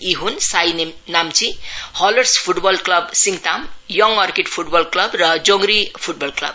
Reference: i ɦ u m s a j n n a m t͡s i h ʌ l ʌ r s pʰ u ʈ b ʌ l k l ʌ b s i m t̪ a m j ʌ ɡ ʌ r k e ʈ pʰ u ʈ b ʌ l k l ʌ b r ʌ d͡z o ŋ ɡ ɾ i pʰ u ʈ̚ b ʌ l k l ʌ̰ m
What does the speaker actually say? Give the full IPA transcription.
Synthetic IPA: i ɦ u n s a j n n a m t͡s i h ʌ l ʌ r s pʰ u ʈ b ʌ l k l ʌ b s i ŋ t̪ a m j ʌ ŋ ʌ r k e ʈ pʰ u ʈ b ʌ l k l ʌ b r ʌ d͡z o ŋ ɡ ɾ i pʰ u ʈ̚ b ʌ l k l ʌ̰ b

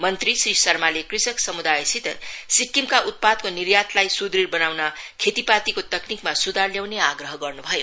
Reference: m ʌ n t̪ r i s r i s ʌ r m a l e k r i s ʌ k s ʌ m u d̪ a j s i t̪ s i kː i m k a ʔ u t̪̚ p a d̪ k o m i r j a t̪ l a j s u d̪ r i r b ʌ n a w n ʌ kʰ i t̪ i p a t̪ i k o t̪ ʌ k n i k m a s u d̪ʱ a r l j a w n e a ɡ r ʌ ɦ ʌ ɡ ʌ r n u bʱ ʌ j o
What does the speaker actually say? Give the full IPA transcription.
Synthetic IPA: m ʌ n t̪ r i s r i s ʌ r m a l e k r i s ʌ k s ʌ m u d̪ a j s i t̪ s i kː i m k a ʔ u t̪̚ p a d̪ k o n i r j a t̪ l a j s u d̪ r i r b ʌ n a w n ʌ kʰ e t̪ i p a t̪ i k o t̪ ʌ k n i k m a s u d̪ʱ a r l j a w n e a ɡ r ʌ ɦ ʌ ɡ ʌ r n u bʱ ʌ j o

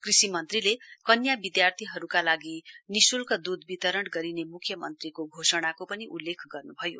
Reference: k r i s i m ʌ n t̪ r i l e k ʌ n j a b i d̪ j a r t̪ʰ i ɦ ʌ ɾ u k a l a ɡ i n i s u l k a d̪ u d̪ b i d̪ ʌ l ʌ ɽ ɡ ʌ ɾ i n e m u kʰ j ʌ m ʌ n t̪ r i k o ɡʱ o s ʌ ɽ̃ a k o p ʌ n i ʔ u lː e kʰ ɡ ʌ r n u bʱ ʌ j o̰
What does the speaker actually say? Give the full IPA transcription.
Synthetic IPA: k r i s i m ʌ n t̪ r i l e k ʌ n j a b i d̪ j a r t̪ʰ i ɦ ʌ ɾ u k a l a ɡ i n i s u l k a d̪ u d̪ b i t̪ ʌ ɾ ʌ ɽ ɡ ʌ ɾ i n e m u kʰ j ʌ m ʌ n t̪ r i k o ɡʱ o s ʌ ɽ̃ a k o p ʌ n i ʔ u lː e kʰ ɡ ʌ r n u bʱ ʌ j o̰

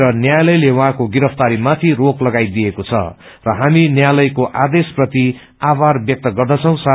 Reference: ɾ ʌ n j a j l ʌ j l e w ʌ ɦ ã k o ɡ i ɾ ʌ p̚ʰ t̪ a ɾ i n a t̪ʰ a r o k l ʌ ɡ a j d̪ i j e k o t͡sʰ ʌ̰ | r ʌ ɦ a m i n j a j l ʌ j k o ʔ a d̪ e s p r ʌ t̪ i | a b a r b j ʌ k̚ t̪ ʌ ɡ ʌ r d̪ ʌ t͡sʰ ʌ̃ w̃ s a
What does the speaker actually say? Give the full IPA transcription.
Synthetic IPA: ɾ ʌ n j a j l ʌ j l e w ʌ ɦ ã k o ɡ i ɾ ʌ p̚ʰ t̪ a ɾ i m a t̪ʰ i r o k l ʌ ɡ a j d̪ i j e k o t͡sʰ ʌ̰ | r ʌ ɦ a m i n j a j l ʌ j k o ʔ a d̪ e s p r ʌ t̪ i | a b a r b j ʌ k̚ t̪ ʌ ɡ ʌ r d̪ ʌ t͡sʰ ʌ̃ w̃ s a

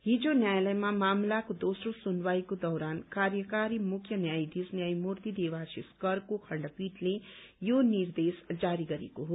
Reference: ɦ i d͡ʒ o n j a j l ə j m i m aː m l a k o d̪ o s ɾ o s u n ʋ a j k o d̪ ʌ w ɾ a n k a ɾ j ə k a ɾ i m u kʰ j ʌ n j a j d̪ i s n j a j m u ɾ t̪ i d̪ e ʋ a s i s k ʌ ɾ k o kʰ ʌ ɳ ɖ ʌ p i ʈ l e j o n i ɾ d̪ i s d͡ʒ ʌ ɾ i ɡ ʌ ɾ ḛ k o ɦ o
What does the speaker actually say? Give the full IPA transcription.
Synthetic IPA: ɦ i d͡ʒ o n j a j l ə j m a m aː m l a k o d̪ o s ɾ o s u n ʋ a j k o d̪ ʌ w ɾ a n k a ɾ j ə k a ɾ i m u kʰ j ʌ n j a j d̪ i s n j a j m u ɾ t̪ i d̪ e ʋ a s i s k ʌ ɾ k o kʰ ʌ ɳ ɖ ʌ p i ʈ l e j o n i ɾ d̪ e s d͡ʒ a ɾ i ɡ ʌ ɾ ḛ k o ɦ o

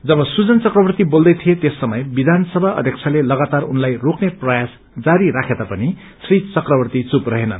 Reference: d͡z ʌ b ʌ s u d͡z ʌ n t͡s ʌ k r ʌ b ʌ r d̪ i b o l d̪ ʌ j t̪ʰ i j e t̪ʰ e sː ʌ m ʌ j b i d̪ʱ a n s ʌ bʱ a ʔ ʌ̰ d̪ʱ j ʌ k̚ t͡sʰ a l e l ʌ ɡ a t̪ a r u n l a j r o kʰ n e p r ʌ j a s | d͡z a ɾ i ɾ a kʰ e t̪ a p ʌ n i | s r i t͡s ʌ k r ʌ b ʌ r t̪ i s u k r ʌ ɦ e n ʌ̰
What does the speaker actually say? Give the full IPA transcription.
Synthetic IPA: d͡z ʌ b ʌ s u d͡z ʌ n t͡s ʌ k r ʌ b ʌ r t̪ i b o l d̪ ʌ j t̪ʰ i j e t̪ e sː ʌ m ʌ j b i d̪ʱ a n s ʌ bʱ a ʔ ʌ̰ d̪ʱ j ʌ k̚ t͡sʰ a l e l ʌ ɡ a t̪ a r u n l a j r o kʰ n e p r ʌ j a s | d͡z a ɾ i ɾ a kʰ e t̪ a p ʌ n i | s r i t͡s ʌ k r ʌ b ʌ r t̪ i t͡s u p r ʌ ɦ e n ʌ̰

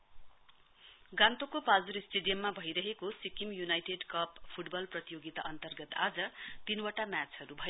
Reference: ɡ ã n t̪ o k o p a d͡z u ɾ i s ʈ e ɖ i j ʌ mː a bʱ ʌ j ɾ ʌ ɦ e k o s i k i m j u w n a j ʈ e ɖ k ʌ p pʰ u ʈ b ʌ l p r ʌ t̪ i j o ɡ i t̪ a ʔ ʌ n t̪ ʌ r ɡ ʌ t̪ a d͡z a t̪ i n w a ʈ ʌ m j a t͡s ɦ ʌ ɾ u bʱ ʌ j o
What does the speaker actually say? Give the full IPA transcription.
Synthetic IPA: ɡ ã n t̪ o k o p a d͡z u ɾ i s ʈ e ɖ i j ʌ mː a bʱ ʌ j ɾ ʌ ɦ e k o s i k i m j u n a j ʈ e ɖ k ʌ p pʰ u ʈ b ʌ l p r ʌ t̪ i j o ɡ i t̪ a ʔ ʌ n t̪ ʌ r ɡ ʌ t̪ a d͡z ʌ t̪ i n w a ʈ a m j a t͡s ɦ ʌ ɾ u bʱ ʌ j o

